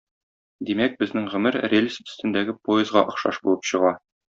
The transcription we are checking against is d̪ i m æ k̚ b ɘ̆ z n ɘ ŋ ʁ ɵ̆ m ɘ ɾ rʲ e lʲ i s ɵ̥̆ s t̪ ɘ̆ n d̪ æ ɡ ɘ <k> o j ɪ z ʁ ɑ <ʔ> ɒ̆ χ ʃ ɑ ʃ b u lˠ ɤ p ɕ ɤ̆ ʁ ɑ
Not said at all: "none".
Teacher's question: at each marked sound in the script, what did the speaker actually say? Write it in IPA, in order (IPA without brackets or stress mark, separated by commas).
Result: p, ʔ